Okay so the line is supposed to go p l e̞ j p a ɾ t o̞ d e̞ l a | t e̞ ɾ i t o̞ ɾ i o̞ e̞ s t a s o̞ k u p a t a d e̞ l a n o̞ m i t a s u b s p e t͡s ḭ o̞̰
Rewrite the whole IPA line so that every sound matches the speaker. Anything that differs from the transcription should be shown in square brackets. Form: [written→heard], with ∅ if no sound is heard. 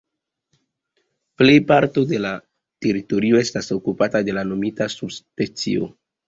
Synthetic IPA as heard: p l e̞ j p a ɾ t o̞ d e̞ l a | t e̞ ɾ i t o̞ ɾ i o̞ e̞ s t a s o̞ k u p a t a d e̞ l a n o̞ m i t a s u b s p e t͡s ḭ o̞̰